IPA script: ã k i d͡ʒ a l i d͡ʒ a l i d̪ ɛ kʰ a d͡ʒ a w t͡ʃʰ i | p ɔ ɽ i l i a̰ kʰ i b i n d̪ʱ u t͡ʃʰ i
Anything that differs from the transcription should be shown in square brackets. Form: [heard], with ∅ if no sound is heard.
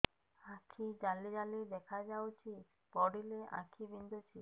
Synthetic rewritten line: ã [kʰ] i d͡ʒ a l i d͡ʒ a l i d̪ ɛ kʰ a d͡ʒ a w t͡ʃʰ i | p ɔ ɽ i l [e] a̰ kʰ i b i n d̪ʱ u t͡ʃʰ i